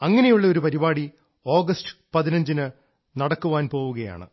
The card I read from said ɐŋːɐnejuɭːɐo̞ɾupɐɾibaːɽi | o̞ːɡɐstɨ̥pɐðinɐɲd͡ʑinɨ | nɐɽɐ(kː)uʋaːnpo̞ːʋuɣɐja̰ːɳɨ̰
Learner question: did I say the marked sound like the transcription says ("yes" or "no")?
yes